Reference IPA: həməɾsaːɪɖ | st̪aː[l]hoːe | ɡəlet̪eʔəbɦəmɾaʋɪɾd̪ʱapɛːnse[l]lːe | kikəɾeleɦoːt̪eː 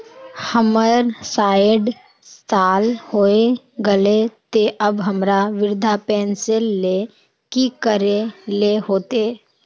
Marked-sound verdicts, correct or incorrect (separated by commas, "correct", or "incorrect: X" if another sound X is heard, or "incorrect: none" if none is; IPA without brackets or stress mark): correct, correct